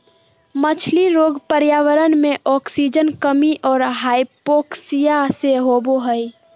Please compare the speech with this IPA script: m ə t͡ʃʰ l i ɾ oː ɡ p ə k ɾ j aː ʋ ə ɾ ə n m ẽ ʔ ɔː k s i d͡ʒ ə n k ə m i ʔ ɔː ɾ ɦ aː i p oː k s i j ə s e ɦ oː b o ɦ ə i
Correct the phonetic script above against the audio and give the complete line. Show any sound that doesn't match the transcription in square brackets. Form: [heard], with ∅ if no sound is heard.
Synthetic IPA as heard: m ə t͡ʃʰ l i ɾ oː ɡ p ə [∅] ɾ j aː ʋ ə ɾ ə n m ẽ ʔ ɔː k s i d͡ʒ ə n k ə m i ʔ ɔː ɾ ɦ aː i p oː k s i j [a] s e ɦ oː b o ɦ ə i